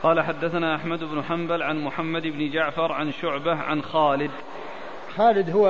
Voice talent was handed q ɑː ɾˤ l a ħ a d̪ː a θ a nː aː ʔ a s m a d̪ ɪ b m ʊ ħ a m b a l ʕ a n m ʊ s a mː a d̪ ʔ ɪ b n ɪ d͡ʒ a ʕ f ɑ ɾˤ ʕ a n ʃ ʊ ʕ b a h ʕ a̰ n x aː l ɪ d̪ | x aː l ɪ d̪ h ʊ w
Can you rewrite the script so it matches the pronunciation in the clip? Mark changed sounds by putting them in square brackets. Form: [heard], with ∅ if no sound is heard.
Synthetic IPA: q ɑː [∅] l a ħ a d̪ː a θ a [n] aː ʔ a [ħ] m a d̪ ɪ b [n] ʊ ħ a m b a l ʕ a n m ʊ [ħ] a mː a d̪ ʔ ɪ b n ɪ d͡ʒ a ʕ f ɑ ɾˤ ʕ a n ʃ ʊ ʕ b a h ʕ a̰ n x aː l ɪ d̪ | x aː l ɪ d̪ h ʊ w